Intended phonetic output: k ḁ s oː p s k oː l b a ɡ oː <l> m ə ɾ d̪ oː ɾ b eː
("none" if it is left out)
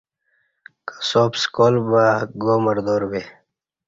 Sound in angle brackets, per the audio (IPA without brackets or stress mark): none